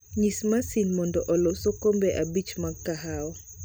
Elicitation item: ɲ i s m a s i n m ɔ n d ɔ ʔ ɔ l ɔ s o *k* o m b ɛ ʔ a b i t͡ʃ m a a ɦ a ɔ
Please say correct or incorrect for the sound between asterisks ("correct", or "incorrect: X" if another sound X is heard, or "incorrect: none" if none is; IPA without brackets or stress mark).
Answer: correct